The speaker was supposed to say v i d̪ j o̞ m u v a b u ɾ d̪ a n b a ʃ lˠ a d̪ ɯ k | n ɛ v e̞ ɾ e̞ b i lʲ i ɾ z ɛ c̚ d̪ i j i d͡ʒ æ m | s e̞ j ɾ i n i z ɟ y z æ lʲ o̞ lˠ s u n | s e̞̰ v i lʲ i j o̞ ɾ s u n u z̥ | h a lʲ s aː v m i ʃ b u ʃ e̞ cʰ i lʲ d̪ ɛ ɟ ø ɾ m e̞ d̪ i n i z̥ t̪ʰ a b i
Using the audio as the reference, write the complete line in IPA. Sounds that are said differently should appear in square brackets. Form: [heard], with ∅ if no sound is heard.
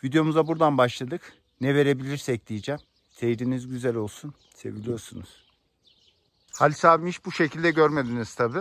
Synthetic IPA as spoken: v i d̪ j o̞ m u [z] a b u ɾ d̪ a n b a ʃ lˠ a d̪ ɯ k | n ɛ v e̞ ɾ e̞ b i lʲ i ɾ [s] ɛ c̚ d̪ i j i d͡ʒ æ m | s e̞ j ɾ i n i z ɟ y z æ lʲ o̞ lˠ s u n | s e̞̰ v i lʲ i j o̞ ɾ s u n u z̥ | h a lʲ s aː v m i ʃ b u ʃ e̞ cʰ i lʲ d̪ ɛ ɟ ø ɾ m e̞ d̪ i n i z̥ t̪ʰ a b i

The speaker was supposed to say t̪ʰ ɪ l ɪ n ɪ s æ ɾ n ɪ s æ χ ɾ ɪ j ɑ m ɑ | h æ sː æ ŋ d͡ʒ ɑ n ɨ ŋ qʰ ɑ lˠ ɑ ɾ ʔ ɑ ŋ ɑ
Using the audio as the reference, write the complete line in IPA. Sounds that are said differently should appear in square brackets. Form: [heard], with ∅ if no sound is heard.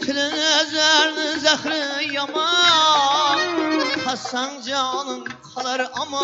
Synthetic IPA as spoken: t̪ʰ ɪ l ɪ n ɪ [z] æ ɾ n ɪ [z] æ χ ɾ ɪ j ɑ m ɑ | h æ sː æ ŋ d͡ʒ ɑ n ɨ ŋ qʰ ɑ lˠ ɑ ɾ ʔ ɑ [m] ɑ

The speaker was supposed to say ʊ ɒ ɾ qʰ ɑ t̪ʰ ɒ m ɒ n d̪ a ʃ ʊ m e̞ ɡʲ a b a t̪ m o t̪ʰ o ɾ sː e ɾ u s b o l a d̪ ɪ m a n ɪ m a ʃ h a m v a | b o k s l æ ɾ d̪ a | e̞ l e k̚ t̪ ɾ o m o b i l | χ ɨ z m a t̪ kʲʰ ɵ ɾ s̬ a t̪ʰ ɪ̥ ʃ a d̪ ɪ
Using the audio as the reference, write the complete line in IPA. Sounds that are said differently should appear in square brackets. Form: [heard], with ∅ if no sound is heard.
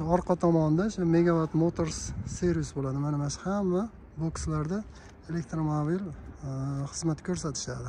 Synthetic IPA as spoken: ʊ ɒ ɾ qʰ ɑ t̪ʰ ɒ m ɒ n d̪ a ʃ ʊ m e̞ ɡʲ a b a t̪ m o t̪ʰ o ɾ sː e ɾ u s b o l a d̪ ɪ m a n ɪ m a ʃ h a m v a | b o k s l [a] ɾ d̪ a | e̞ l e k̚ t̪ ɾ o m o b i l | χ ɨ z m a t̪ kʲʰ ɵ ɾ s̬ a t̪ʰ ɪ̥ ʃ a d̪ ɪ

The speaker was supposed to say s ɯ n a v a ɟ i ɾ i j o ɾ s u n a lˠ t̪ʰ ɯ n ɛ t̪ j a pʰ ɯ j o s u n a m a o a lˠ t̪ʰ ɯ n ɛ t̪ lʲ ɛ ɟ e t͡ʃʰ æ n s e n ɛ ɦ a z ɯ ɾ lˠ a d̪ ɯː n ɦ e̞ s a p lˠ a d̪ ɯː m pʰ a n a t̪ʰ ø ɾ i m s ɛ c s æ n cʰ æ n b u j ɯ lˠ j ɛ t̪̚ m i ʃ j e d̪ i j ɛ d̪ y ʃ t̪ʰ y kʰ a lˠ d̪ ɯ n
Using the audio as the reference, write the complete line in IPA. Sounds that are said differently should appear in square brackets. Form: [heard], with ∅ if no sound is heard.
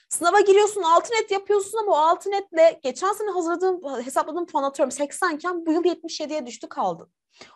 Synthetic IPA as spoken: s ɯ n a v a ɟ i ɾ i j o ɾ s u n a lˠ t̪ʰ ɯ n ɛ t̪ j a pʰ ɯ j o s u n a m a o a lˠ t̪ʰ ɯ n ɛ t̪ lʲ ɛ ɟ e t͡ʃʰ æ n s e n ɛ ɦ a z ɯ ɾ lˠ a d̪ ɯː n ɦ e̞ s a p lˠ a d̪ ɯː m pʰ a n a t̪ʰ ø ɾ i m s ɛ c s æ n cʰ æ n b u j ɯ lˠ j ɛ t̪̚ m i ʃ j e d̪ i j ɛ d̪ y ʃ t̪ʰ y kʰ a lˠ d̪ ɯ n

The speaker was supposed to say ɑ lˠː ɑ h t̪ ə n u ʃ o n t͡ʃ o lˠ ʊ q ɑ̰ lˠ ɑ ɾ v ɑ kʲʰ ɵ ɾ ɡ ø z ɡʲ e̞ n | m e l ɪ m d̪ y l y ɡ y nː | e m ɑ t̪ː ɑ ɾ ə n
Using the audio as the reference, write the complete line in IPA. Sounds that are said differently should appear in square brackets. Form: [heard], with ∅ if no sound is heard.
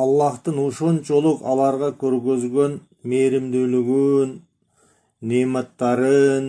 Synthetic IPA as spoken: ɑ lˠː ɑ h t̪ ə n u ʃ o n t͡ʃ o lˠ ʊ q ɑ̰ lˠ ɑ ɾ [ʁ] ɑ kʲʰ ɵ ɾ ɡ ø z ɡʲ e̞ n | m e [ɾ] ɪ m d̪ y l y ɡ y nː | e m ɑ t̪ː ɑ ɾ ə n

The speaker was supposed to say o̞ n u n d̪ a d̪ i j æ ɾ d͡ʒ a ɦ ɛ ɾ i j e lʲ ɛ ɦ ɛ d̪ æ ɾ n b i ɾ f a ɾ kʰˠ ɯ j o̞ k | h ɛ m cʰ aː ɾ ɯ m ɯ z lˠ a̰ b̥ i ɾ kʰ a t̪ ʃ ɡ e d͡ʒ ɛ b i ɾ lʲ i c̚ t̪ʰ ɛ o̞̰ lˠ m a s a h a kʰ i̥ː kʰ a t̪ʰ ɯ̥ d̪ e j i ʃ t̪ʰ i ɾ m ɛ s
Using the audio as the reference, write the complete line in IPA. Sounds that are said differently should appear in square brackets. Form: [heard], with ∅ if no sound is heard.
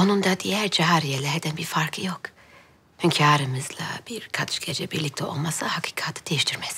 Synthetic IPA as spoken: o̞ n u n d̪ a d̪ i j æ ɾ d͡ʒ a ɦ [a] ɾ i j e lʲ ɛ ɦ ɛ d̪ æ [∅] n b i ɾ f a ɾ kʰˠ ɯ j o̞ k | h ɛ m cʰ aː ɾ ɯ m ɯ z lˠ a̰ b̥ i ɾ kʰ a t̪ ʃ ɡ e d͡ʒ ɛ b i ɾ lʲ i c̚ t̪ʰ ɛ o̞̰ lˠ m a s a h a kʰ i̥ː kʰ a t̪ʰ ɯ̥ d̪ e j i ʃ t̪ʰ i ɾ m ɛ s

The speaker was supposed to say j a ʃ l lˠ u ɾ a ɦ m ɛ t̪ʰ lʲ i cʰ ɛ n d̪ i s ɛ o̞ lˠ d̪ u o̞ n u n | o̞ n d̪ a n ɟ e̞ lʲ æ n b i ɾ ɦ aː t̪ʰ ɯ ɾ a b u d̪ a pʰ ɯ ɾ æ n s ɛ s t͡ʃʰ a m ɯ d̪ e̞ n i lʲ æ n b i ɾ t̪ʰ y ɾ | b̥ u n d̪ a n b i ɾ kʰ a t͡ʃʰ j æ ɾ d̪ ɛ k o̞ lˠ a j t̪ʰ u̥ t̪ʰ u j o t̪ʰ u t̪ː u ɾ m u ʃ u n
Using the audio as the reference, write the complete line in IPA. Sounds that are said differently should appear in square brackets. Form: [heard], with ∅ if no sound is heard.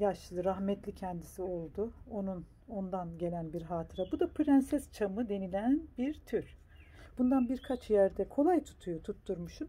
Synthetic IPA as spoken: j a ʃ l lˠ [ɯ] ɾ a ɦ m ɛ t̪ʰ lʲ i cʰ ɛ n d̪ i s [i] o̞ lˠ d̪ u o̞ n u n | o̞ n d̪ a n ɟ e̞ lʲ æ n b i ɾ ɦ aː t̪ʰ ɯ ɾ a b u d̪ a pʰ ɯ ɾ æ n s ɛ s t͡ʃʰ a m ɯ d̪ e̞ n i lʲ æ n b i ɾ t̪ʰ y ɾ | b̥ u n d̪ a n b i ɾ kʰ a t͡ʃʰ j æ ɾ d̪ ɛ [kʰ] o̞ lˠ a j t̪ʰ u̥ t̪ʰ u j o t̪ʰ u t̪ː u ɾ m u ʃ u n

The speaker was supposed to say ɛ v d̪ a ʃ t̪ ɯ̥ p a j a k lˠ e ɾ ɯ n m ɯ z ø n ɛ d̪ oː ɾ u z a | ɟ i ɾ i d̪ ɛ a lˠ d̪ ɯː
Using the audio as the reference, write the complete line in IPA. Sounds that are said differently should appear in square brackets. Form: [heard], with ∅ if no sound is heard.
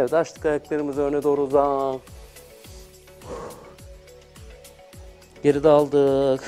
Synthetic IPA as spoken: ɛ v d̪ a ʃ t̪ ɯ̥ [k] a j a k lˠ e ɾ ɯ [∅] m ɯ z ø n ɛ d̪ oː ɾ u z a | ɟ [e] ɾ i d̪ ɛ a lˠ d̪ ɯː

